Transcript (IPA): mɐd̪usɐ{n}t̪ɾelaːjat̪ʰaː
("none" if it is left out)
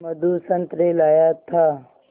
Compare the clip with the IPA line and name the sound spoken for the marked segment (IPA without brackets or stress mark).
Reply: n